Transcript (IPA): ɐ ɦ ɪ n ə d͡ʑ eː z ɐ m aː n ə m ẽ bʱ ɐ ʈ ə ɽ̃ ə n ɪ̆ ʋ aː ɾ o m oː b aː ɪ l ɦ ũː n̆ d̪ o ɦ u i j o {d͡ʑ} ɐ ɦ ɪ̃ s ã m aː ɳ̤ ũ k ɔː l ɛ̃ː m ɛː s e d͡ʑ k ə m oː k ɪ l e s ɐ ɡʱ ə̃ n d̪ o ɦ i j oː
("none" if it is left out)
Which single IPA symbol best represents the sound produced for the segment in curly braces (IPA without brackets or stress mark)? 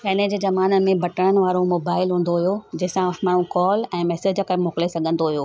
d͡ʑ